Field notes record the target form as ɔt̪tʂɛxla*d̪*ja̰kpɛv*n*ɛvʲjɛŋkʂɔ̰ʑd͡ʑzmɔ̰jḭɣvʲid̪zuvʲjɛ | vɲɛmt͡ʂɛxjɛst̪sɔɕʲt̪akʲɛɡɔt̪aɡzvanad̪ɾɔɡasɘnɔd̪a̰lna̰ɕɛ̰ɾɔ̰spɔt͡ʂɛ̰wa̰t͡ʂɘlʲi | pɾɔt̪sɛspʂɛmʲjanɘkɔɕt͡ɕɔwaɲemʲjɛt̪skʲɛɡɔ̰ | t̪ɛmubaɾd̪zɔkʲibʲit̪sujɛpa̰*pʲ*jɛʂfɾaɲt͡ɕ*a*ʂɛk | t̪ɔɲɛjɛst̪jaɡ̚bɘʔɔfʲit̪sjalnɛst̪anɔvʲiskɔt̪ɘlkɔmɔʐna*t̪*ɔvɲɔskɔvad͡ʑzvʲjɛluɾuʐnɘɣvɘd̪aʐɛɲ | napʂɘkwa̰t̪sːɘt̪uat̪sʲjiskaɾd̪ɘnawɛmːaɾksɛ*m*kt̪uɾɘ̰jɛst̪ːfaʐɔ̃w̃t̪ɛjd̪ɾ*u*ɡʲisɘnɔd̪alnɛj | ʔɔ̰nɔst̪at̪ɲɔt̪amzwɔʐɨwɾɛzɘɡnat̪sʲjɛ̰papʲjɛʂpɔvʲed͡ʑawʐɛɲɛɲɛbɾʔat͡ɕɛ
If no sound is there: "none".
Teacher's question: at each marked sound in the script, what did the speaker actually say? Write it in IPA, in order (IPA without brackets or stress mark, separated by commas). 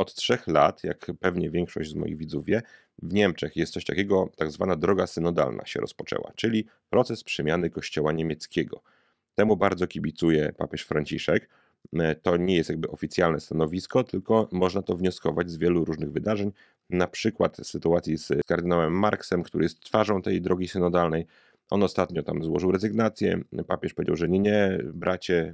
t̪, ɲ, pʲ, i, t̪, m, ɔ